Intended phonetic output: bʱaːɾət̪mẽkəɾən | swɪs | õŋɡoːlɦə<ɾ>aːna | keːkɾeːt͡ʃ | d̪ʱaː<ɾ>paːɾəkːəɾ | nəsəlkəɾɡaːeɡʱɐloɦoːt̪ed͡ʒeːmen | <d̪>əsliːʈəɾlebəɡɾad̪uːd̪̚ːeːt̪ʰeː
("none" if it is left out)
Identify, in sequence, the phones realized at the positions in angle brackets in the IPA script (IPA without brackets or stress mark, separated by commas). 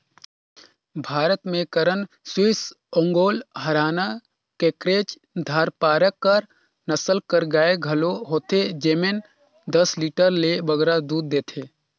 ɾ, ɾ, d̪